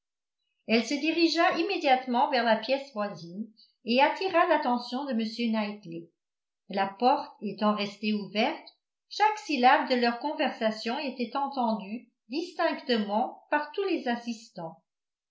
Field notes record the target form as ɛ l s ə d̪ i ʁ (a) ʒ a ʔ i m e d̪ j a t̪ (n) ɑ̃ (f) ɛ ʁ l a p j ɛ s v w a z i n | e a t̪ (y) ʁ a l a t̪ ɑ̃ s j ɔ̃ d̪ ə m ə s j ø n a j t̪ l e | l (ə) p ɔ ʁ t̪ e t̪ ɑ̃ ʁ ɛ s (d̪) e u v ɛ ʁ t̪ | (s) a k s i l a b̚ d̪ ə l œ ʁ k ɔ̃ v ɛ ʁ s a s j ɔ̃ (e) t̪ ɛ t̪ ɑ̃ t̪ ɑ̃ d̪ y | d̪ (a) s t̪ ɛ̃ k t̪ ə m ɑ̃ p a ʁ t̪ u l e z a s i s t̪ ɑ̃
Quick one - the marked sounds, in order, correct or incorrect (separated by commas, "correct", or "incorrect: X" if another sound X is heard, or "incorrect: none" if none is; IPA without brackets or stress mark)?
incorrect: i, incorrect: m, incorrect: v, incorrect: i, incorrect: a, incorrect: t̪, incorrect: ʃ, correct, incorrect: i